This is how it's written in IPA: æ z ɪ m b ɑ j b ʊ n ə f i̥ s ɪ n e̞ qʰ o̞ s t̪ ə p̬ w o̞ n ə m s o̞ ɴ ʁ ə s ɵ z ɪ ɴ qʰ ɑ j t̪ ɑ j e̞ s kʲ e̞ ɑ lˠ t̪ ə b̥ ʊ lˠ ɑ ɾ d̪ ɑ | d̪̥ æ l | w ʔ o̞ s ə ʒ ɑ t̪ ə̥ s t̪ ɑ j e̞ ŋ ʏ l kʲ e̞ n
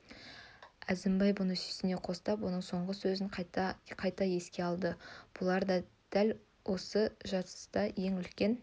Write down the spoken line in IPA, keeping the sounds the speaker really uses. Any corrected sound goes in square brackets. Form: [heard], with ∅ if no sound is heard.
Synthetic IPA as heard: æ z ɪ m b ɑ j b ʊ n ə [s] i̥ s ɪ n e̞ qʰ o̞ s t̪ [ɑ] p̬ w o̞ n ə [ɴ] s o̞ ɴ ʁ ə s ɵ z ɪ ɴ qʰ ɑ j t̪ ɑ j e̞ s kʲ e̞ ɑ lˠ [d̪] ə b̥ ʊ lˠ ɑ ɾ d̪ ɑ | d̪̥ æ l | w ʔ o̞ s ə ʒ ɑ t̪ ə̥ s t̪ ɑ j e̞ ŋ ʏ l kʲ e̞ n